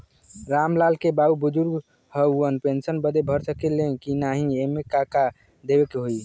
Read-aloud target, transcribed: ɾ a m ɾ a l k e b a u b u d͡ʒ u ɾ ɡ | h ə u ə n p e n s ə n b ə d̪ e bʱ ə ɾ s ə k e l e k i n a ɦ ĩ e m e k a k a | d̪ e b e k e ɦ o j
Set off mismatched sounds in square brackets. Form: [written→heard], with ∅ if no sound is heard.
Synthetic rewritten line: ɾ a m [ɾ→l] a l k e b a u b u d͡ʒ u ɾ ɡ | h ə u ə n p e n s ə n b ə d̪ e bʱ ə ɾ s ə k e l e k i n a ɦ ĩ e m e k a k a | d̪ e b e k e ɦ o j